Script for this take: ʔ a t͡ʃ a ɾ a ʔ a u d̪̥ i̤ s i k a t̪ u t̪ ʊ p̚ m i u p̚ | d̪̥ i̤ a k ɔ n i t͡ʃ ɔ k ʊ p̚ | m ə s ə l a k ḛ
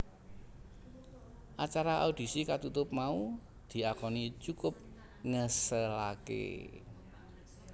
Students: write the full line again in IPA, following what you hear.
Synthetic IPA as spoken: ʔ a t͡ʃ a ɾ a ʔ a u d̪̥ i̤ s i k a t̪ u t̪ ʊ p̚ m a u | d̪̥ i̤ a k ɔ n i t͡ʃ u k ʊ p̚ | ŋ ə s ə l a k ḛ